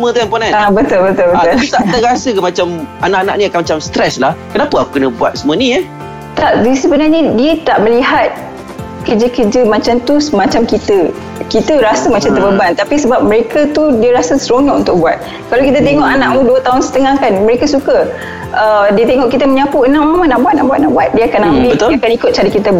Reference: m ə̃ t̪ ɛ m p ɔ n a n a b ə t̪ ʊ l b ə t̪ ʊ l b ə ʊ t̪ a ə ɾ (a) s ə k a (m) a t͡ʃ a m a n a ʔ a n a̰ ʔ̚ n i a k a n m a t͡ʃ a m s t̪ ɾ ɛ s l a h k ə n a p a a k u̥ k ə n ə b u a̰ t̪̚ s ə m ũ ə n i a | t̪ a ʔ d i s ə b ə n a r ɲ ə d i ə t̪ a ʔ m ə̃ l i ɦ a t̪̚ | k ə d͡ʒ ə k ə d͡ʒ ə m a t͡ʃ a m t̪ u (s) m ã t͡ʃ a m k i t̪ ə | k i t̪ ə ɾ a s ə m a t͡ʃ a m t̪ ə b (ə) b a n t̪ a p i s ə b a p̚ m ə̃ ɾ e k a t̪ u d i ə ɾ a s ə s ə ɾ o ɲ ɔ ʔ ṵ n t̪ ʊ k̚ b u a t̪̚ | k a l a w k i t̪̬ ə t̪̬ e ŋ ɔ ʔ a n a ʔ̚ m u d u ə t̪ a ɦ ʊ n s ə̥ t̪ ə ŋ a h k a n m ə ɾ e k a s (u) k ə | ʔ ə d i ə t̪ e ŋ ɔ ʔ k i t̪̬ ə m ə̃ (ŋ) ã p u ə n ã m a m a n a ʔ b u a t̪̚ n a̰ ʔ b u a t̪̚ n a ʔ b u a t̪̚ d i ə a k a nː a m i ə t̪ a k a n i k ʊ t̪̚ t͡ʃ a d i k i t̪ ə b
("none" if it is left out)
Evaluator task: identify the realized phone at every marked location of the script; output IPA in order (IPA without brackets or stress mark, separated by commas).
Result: a, m, s, ə, u, ɲ